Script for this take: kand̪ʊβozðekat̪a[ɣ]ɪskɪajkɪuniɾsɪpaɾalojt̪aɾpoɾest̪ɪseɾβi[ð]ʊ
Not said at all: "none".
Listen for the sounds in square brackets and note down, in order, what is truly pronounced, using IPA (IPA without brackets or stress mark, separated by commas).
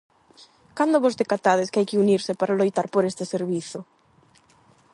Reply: ð, θ